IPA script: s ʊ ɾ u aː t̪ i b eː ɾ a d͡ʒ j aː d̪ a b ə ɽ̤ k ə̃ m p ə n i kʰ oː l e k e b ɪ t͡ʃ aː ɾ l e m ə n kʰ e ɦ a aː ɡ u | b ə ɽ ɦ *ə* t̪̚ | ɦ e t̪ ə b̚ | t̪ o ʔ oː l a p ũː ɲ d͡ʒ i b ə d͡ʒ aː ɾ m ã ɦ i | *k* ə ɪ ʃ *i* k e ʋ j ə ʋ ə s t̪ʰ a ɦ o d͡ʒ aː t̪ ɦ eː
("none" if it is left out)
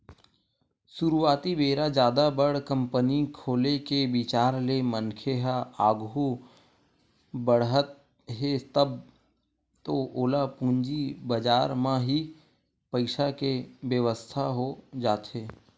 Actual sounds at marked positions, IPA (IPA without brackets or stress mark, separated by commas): ə, p, a